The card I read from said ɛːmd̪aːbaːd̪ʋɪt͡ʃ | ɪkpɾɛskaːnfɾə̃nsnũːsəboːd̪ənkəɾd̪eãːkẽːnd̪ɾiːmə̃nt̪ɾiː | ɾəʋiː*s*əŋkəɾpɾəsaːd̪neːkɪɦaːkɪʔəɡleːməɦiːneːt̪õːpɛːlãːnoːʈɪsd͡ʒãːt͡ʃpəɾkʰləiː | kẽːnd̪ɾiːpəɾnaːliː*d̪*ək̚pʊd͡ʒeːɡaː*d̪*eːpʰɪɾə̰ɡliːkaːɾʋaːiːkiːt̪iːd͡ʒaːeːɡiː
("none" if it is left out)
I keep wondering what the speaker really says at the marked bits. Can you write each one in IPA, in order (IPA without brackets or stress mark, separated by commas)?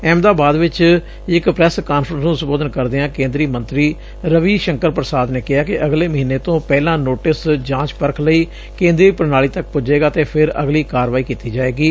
ʃ, t̪, t̪